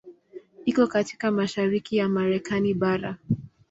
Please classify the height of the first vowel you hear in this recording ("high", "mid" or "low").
high